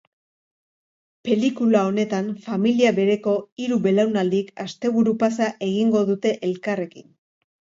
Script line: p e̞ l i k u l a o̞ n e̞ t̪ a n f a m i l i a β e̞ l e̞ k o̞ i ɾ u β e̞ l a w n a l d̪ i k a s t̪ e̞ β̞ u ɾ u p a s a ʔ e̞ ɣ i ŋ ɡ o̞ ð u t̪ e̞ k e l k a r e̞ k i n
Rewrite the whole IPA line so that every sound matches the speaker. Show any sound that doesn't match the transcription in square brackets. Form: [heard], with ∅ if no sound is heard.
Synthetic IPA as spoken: p e̞ l i k u l a o̞ n e̞ t̪ a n f a m i l i a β e̞ [ɾ] e̞ k o̞ i ɾ u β e̞ l a w n a l d̪ i k a s t̪ e̞ β̞ u ɾ u p a s a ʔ e̞ ɣ i ŋ ɡ o̞ ð u t̪ e̞ [ʔ] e l k a r e̞ k i n

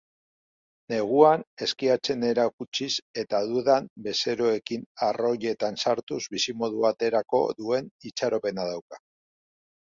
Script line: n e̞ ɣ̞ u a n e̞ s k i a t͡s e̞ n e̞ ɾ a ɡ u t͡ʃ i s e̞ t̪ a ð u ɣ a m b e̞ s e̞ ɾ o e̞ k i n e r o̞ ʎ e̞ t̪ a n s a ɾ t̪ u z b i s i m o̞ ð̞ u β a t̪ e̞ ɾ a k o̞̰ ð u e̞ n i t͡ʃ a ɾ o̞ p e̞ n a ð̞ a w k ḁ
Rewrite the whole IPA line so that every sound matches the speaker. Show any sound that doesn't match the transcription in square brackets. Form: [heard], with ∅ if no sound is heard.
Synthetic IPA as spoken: n e̞ ɣ̞ u a n e̞ s k i a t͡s e̞ n e̞ ɾ a [k] u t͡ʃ i s e̞ t̪ a ð u [ð] a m b e̞ s e̞ ɾ o e̞ k i n [a] r o̞ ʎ e̞ t̪ a n s a ɾ t̪ u z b i s i m o̞ ð̞ u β a t̪ e̞ ɾ a k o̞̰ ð u e̞ n i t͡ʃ a ɾ o̞ p e̞ n a ð̞ a w k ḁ

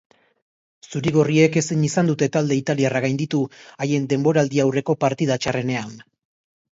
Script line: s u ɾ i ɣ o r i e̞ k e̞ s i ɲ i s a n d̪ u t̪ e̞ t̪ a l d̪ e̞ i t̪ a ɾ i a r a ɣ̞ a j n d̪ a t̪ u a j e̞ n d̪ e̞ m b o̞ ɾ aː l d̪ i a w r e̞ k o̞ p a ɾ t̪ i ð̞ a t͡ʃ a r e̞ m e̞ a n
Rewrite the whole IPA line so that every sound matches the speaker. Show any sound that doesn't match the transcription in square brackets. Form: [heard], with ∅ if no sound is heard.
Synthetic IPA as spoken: s u ɾ i ɣ o r i e̞ k e̞ s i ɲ i s a n d̪ u t̪ e̞ t̪ a l d̪ e̞ i t̪ a [l] i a r a ɣ̞ a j n d̪ [i] t̪ u a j e̞ n d̪ e̞ m b o̞ ɾ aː l d̪ i a w r e̞ k o̞ p a ɾ t̪ i ð̞ a t͡ʃ a r e̞ [n] e̞ a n

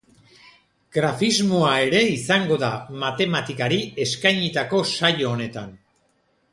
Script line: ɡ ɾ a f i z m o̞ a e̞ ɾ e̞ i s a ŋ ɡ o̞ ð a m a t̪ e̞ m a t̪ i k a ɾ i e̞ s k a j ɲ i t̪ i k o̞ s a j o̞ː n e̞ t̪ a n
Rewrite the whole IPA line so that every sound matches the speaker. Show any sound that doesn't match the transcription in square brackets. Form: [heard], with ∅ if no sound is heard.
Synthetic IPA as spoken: ɡ ɾ a f i z m o̞ a e̞ ɾ e̞ i s a ŋ ɡ o̞ ð a m a t̪ e̞ m a t̪ i k a ɾ i e̞ s k a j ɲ i t̪ [a] k o̞ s a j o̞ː n e̞ t̪ a n

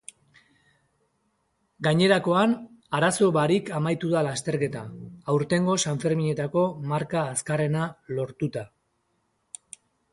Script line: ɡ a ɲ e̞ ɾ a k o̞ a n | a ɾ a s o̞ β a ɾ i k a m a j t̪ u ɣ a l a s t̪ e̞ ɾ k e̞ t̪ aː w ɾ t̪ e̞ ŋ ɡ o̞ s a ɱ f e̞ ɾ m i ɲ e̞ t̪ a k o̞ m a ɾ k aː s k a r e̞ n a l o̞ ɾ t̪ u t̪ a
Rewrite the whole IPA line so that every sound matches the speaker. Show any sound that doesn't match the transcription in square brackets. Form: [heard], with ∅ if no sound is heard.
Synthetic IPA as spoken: ɡ a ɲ e̞ ɾ a k o̞ a n | a ɾ a s o̞ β a ɾ i k a m a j t̪ u [ð] a l a s t̪ e̞ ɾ k e̞ t̪ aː w ɾ t̪ e̞ ŋ ɡ o̞ s a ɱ f e̞ ɾ m i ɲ e̞ t̪ a k o̞ m a ɾ k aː s k a r e̞ n a l o̞ ɾ t̪ u t̪ a

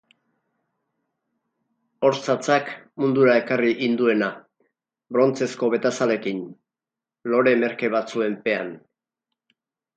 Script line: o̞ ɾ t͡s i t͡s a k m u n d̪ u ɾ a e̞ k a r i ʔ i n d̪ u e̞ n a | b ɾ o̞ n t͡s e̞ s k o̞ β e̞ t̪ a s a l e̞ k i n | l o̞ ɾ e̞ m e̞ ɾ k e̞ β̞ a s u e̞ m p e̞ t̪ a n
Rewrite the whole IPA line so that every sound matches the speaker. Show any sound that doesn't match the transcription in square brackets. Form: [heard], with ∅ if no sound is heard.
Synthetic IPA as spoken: o̞ ɾ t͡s [a] t͡s a k m u n d̪ u ɾ a e̞ k a r i ʔ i n d̪ u e̞ n a | b ɾ o̞ n t͡s e̞ s k o̞ β e̞ t̪ a s a l e̞ k i n | l o̞ ɾ e̞ m e̞ ɾ k e̞ β̞ a [t͡s] u e̞ m p e̞ [∅] a n

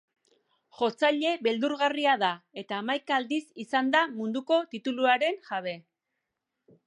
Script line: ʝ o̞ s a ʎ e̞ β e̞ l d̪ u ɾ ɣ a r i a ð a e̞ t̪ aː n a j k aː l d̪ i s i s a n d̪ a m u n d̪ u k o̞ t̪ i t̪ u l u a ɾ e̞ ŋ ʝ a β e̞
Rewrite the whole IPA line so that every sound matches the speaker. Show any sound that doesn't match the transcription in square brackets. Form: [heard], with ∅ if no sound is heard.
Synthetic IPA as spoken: ʝ o̞ [t͡s] a ʎ e̞ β e̞ l d̪ u ɾ ɣ a r i a ð a e̞ t̪ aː [m] a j k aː l d̪ i s i s a n d̪ a m u n d̪ u k o̞ t̪ i t̪ u l u a ɾ e̞ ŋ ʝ a β e̞

